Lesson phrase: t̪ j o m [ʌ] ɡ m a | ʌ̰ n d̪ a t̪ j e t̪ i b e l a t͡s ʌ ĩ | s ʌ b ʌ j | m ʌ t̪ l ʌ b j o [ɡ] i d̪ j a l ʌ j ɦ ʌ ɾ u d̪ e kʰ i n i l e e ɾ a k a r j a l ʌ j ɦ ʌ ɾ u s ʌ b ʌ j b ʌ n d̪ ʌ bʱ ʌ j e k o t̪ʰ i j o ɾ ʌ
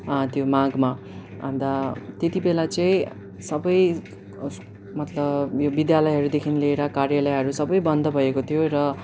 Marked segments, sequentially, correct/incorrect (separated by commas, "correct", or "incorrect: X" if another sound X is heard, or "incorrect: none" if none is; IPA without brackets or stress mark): incorrect: a, incorrect: b